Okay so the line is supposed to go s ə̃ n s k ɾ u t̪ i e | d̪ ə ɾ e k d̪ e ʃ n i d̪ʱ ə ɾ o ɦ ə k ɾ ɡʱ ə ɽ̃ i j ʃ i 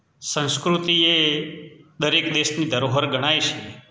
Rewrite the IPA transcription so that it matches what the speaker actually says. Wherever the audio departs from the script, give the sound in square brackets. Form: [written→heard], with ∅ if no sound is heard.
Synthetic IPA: s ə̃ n s k ɾ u t̪ i e | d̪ ə ɾ e k d̪ e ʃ n i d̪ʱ ə ɾ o ɦ ə [k→∅] ɾ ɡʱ ə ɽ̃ [i→a] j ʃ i